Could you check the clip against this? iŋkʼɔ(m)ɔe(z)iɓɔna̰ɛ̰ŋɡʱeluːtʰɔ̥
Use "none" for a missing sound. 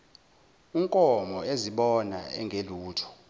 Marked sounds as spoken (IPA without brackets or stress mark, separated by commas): m, z